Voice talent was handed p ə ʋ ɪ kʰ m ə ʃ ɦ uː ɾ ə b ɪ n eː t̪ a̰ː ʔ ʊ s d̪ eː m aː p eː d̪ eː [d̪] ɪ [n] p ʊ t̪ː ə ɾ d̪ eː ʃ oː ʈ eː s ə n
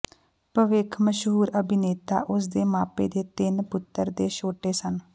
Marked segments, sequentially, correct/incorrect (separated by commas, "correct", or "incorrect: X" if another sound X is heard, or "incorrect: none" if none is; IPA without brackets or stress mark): incorrect: t̪, correct